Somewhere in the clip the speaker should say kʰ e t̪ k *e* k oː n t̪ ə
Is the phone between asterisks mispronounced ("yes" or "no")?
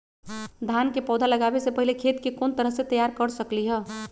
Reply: no